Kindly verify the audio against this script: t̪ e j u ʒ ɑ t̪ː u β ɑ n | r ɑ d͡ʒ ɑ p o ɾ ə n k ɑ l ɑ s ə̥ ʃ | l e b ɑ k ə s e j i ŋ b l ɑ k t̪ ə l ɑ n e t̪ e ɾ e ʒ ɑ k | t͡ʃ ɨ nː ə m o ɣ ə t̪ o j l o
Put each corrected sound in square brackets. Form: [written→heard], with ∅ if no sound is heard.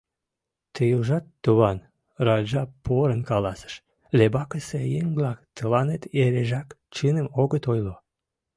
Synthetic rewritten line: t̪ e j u ʒ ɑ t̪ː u β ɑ n | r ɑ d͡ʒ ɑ p o ɾ ə n k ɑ l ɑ s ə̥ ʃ | l e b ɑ k ə s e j [i→e] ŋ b l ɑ k t̪ ə l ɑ n e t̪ e ɾ e ʒ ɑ k | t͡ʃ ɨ [nː→n] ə m o ɣ ə t̪ o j l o